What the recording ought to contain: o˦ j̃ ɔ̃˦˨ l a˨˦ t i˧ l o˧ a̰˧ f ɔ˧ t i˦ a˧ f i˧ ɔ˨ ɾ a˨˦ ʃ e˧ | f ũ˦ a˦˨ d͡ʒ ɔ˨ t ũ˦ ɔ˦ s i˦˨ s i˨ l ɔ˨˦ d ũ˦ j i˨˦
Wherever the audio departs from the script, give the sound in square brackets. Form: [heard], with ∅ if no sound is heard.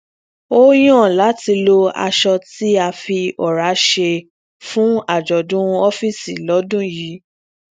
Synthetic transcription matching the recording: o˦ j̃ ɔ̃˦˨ l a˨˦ t i˧ l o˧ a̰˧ [ʃ] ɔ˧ t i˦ a˧ f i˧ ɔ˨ ɾ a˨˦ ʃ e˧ | f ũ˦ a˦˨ d͡ʒ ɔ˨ [d] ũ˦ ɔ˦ [f] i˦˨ s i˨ l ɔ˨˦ d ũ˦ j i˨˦